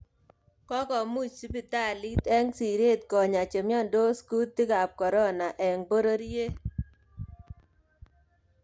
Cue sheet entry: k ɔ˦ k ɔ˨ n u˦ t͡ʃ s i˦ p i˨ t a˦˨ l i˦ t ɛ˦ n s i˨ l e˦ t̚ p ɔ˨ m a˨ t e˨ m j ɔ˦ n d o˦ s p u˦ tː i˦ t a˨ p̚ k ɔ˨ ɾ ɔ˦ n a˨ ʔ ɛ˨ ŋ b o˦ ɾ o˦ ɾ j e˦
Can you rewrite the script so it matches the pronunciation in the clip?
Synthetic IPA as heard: k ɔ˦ k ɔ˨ m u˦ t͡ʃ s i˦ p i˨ t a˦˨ l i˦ t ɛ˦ ŋ s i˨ ɾ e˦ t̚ k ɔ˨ ɲ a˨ t͡ʃ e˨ m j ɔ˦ n d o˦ s k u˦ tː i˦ k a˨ p̚ k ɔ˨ ɾ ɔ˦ n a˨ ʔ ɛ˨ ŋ b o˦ ɾ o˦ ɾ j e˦